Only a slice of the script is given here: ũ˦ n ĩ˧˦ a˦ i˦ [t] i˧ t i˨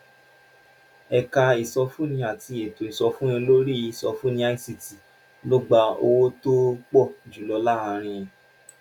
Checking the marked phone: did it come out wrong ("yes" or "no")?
yes